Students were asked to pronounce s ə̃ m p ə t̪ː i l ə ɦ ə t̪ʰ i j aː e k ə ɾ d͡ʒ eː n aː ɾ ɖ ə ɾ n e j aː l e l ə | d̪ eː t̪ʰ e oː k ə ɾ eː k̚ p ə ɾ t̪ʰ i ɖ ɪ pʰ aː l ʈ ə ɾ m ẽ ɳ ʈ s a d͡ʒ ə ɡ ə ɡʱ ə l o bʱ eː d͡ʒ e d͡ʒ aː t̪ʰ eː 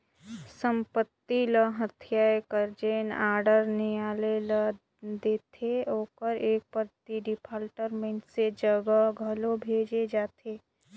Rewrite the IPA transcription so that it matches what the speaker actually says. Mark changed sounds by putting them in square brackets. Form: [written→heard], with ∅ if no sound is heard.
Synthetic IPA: s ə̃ m p ə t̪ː i l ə ɦ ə t̪ʰ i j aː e k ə ɾ d͡ʒ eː n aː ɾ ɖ ə ɾ n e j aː l e l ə | d̪ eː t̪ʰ e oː k ə ɾ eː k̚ p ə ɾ [t̪ʰ→t̪] i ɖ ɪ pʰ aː l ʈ ə ɾ m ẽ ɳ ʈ s [a→e] d͡ʒ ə ɡ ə ɡʱ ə l o bʱ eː d͡ʒ e d͡ʒ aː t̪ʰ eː